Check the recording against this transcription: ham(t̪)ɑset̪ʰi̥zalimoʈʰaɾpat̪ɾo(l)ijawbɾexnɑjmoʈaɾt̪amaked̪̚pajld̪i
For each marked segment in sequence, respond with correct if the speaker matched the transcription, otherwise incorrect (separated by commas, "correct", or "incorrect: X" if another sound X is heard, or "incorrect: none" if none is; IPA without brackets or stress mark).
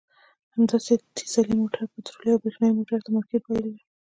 incorrect: d̪, correct